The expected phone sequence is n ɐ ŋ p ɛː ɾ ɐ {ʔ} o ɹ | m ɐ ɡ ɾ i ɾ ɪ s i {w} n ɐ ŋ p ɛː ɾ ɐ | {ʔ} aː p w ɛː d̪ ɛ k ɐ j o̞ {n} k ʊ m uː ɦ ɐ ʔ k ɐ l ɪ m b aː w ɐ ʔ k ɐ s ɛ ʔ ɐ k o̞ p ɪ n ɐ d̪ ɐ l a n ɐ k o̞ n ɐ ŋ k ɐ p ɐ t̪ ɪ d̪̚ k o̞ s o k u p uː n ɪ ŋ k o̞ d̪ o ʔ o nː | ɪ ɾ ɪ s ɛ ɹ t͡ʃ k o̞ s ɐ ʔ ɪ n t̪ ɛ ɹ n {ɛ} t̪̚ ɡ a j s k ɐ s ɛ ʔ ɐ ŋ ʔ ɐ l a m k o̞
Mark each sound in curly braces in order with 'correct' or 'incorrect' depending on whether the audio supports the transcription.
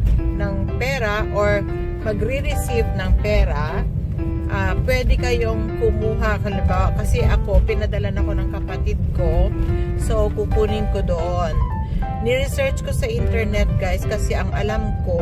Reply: correct, incorrect: v, correct, incorrect: ŋ, correct

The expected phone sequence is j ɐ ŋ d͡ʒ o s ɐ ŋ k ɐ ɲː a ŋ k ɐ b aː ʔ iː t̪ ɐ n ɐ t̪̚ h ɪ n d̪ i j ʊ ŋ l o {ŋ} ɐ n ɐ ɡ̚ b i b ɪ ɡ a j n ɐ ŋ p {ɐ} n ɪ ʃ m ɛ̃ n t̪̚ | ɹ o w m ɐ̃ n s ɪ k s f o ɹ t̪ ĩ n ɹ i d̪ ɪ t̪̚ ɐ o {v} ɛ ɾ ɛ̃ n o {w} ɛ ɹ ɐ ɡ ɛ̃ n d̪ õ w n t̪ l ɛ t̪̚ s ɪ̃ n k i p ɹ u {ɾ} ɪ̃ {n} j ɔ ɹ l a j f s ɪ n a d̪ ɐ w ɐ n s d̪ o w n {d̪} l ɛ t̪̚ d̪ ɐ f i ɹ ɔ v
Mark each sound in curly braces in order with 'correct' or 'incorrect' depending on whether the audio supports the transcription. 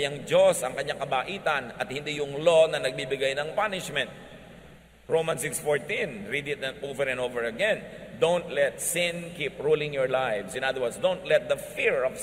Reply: incorrect: n, incorrect: a, correct, incorrect: v, incorrect: l, incorrect: ŋ, incorrect: t̪

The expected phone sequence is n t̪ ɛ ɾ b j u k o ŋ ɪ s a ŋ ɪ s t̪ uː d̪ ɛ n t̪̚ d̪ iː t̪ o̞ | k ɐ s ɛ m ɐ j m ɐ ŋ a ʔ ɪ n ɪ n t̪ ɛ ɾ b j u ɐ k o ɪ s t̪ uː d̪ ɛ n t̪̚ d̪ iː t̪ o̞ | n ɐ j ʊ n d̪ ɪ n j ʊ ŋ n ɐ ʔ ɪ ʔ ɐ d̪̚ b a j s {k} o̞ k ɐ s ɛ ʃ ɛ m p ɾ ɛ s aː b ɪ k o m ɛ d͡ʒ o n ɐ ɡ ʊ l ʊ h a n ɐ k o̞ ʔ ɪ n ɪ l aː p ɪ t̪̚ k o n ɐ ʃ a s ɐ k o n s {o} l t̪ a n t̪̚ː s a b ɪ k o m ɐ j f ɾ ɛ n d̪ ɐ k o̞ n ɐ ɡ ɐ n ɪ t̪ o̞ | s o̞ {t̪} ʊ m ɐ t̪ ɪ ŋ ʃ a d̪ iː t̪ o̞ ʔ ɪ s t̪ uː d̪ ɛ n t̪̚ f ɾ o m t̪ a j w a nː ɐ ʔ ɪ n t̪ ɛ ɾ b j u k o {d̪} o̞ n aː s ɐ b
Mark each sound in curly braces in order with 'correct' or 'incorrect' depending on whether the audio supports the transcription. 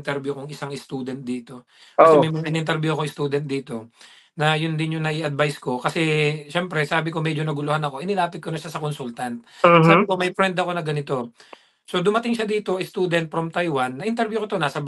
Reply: correct, incorrect: u, incorrect: d̪, incorrect: t̪

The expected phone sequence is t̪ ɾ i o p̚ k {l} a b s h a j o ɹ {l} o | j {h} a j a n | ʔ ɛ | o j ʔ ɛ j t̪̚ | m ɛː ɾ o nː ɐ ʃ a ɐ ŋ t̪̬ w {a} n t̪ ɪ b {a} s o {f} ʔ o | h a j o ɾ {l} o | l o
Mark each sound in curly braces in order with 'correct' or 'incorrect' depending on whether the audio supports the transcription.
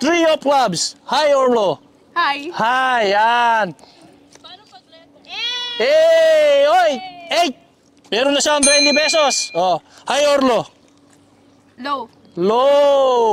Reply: correct, correct, correct, incorrect: ɛ, incorrect: ɛ, incorrect: s, correct

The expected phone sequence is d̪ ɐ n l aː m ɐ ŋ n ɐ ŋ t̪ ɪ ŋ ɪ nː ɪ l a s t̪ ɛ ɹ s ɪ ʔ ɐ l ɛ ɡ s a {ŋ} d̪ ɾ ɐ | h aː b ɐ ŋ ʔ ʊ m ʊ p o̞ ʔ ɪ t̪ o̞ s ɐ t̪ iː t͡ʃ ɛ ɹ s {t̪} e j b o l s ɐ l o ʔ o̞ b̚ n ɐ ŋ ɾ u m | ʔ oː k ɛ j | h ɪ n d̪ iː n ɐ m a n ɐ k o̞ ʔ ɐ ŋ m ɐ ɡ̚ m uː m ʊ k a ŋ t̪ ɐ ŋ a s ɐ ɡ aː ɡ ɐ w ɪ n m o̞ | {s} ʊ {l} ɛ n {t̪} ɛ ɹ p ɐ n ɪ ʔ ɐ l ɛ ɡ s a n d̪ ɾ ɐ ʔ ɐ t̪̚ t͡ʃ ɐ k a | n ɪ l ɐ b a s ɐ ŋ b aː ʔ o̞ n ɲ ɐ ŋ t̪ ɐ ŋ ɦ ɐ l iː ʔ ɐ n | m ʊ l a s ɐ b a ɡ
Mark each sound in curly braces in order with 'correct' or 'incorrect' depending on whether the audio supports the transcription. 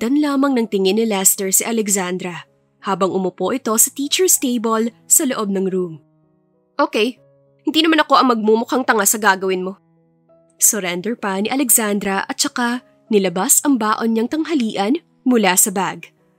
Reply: incorrect: n, correct, correct, incorrect: ɾ, incorrect: d̪

